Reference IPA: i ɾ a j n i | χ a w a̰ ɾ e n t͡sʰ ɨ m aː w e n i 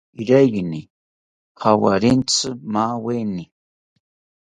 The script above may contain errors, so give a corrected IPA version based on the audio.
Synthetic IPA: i ɾ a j n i | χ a w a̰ ɾ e n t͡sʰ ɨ m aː w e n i